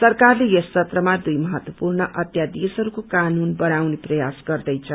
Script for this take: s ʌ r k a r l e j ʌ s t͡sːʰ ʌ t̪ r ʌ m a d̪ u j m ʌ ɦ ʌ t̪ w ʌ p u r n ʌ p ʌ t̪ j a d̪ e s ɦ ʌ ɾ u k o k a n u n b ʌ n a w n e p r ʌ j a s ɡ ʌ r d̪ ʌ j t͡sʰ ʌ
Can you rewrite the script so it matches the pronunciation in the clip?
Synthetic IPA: s ʌ r k a r l e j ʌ s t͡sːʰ ʌ t̪ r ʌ m a d̪ u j m ʌ ɦ ʌ t̪ w ʌ p u r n ʌ ʔ ʌ t̪ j a d̪ e s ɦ ʌ ɾ u k o k a n u n b ʌ n a w n e p r ʌ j a s ɡ ʌ r d̪ ʌ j t͡sʰ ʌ